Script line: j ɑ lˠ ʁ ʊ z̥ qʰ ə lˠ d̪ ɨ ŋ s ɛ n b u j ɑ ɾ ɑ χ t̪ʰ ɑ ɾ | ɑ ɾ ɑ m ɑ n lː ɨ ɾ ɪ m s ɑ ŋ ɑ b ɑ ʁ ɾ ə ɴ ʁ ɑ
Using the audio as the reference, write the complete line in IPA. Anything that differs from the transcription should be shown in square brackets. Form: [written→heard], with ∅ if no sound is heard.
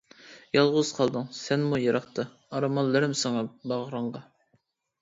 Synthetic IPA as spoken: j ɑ lˠ ʁ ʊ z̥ qʰ [ə→ɑ] lˠ d̪ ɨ ŋ s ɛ n [b→m] u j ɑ ɾ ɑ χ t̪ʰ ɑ [ɾ→∅] | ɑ ɾ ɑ m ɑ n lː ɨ ɾ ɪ m s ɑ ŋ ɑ b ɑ ʁ ɾ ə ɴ ʁ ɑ